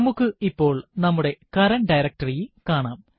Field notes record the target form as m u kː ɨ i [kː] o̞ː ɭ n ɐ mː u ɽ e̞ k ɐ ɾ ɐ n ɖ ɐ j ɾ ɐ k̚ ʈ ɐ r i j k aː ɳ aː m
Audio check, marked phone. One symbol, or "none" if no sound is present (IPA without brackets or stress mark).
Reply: pː